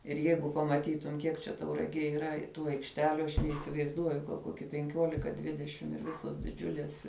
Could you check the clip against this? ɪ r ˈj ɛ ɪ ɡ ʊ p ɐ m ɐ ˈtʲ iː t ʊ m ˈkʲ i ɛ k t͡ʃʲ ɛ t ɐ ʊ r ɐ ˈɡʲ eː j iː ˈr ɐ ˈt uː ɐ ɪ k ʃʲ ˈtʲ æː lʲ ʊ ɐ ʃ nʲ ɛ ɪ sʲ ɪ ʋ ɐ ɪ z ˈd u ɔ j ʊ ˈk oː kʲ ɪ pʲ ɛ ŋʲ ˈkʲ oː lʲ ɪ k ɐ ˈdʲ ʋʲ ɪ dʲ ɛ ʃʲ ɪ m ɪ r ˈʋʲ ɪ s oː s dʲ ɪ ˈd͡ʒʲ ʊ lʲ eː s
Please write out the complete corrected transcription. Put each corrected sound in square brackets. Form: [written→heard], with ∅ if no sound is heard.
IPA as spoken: ɪ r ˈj ɛ ɪ ɡ ʊ p ɐ m ɐ ˈtʲ iː t ʊ m ˈkʲ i ɛ k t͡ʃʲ ɛ t ɐ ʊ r ɐ ˈɡʲ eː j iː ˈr ɐ ˈt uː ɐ ɪ k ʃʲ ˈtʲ æː lʲ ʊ ɐ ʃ nʲ ɛ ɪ sʲ ɪ ʋ ɐ ɪ z ˈd u ɔ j ʊ ˈk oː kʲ ɪ pʲ ɛ ŋʲ ˈkʲ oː lʲ ɪ k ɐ ˈdʲ ʋʲ ɪ dʲ ɛ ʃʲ ɪ m ɪ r ˈʋʲ ɪ s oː s dʲ ɪ ˈd͡ʒʲ ʊ lʲ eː s

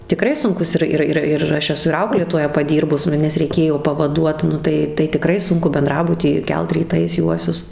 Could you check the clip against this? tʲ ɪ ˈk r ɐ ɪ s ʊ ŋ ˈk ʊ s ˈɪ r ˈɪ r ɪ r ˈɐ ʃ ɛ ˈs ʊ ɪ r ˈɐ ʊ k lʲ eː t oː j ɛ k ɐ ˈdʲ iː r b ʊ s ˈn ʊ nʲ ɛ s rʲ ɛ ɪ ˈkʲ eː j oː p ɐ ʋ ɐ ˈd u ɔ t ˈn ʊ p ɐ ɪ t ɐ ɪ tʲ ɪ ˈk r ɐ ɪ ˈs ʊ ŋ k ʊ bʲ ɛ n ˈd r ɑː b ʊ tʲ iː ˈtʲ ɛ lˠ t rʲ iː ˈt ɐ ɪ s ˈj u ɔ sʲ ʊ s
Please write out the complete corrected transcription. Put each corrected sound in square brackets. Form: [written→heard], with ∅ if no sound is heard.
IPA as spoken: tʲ ɪ ˈk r ɐ ɪ s ʊ ŋ ˈk ʊ s ˈɪ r ˈɪ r ɪ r ˈɐ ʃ ɛ ˈs ʊ ɪ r ˈɐ ʊ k lʲ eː t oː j ɛ [k→p] ɐ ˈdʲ iː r b ʊ s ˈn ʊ nʲ ɛ s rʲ ɛ ɪ ˈkʲ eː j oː p ɐ ʋ ɐ ˈd u ɔ t ˈn ʊ [p→t] ɐ ɪ t ɐ ɪ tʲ ɪ ˈk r ɐ ɪ ˈs ʊ ŋ k ʊ bʲ ɛ n ˈd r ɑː b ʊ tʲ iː [ˈtʲ→ˈkʲ] ɛ lˠ t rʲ iː ˈt ɐ ɪ s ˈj u ɔ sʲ ʊ s

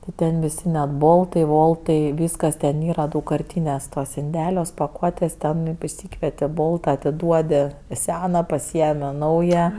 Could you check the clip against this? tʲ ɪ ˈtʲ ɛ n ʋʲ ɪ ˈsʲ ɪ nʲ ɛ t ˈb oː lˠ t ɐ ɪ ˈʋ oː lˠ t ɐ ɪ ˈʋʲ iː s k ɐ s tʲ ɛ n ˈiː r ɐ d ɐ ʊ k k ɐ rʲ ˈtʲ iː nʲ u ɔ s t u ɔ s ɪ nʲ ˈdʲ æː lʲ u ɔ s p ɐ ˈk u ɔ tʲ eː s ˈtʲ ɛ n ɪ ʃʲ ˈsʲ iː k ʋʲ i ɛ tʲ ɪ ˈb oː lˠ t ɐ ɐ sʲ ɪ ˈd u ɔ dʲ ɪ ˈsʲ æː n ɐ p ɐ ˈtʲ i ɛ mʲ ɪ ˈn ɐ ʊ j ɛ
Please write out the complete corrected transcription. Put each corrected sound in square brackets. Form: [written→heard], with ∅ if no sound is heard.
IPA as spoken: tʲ ɪ ˈtʲ ɛ n ʋʲ ɪ ˈsʲ ɪ nʲ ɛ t ˈb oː lˠ t ɐ ɪ ˈʋ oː lˠ t ɐ ɪ ˈʋʲ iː s k ɐ s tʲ ɛ n ˈiː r ɐ d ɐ ʊ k k ɐ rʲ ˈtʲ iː nʲ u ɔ s t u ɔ s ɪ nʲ ˈdʲ æː lʲ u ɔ s p ɐ ˈk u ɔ tʲ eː s ˈtʲ ɛ n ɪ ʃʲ ˈsʲ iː k ʋʲ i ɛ tʲ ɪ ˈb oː lˠ t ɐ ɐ [sʲ→tʲ] ɪ ˈd u ɔ dʲ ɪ ˈsʲ æː n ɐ p ɐ [ˈtʲ→ˈsʲ] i ɛ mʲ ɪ ˈn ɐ ʊ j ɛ

